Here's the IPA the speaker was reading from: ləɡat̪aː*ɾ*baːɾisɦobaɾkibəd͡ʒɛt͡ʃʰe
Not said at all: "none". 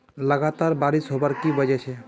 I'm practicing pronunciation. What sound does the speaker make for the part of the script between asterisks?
ɾ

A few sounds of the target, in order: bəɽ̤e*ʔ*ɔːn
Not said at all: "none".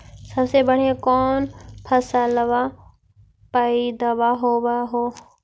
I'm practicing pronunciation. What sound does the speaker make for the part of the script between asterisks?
k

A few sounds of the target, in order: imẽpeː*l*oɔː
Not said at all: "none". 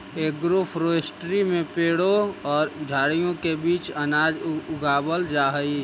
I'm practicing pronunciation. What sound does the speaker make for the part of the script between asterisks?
ɽ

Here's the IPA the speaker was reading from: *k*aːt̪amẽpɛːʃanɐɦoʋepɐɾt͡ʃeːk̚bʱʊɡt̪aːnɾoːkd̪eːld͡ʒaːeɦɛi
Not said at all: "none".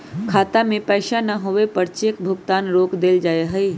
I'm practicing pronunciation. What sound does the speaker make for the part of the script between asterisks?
kʰ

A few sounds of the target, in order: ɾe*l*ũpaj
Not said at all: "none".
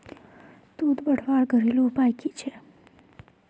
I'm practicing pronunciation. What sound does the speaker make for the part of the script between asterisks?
l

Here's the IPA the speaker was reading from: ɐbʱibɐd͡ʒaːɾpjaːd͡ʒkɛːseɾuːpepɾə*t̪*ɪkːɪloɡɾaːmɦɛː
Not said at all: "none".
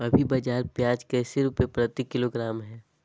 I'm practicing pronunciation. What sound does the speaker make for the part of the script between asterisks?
t̪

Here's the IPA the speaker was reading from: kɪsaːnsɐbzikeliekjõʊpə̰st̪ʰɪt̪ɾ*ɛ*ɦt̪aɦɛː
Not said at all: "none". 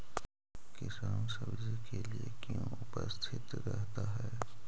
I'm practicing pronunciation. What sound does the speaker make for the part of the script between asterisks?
ɛ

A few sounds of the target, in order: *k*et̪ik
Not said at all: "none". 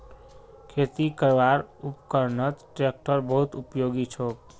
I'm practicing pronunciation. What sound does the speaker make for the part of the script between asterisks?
kʰ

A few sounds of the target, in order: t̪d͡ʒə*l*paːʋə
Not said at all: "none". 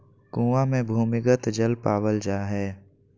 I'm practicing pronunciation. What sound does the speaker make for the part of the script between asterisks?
l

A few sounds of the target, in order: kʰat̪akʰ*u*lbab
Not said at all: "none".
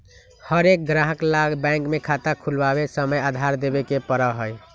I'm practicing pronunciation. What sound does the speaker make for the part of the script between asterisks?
u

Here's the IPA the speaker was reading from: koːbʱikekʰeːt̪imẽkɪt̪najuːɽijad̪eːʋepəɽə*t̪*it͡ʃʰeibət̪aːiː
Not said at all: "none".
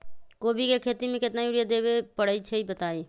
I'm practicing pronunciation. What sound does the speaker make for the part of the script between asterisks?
none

